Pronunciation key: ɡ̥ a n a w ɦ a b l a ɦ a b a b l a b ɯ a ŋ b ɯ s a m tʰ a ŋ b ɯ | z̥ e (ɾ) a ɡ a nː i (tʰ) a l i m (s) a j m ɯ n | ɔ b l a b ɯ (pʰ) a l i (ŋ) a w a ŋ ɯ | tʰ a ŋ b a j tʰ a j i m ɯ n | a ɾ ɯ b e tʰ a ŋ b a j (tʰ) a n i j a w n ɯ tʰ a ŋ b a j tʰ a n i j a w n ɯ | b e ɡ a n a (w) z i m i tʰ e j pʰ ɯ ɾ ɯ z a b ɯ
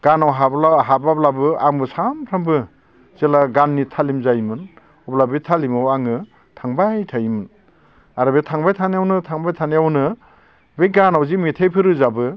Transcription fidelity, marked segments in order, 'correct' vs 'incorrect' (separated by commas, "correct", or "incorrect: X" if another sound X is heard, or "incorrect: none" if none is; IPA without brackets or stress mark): incorrect: l, correct, incorrect: z, incorrect: tʰ, incorrect: m, correct, correct